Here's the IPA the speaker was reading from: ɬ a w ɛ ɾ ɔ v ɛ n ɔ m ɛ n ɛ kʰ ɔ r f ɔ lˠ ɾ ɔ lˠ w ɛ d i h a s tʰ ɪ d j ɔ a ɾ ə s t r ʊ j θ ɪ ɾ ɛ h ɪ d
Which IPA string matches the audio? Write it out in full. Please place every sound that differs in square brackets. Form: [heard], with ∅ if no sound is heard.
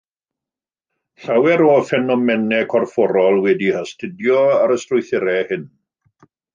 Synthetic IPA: ɬ a w ɛ ɾ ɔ [f] ɛ n ɔ m ɛ n ɛ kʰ ɔ r f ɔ [∅] ɾ ɔ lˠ w ɛ d i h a s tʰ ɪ d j ɔ a ɾ ə s t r ʊ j θ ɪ ɾ ɛ h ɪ [n]